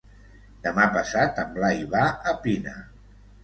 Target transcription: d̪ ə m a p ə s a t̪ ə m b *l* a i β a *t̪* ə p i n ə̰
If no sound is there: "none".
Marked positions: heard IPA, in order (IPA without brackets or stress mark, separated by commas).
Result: l, none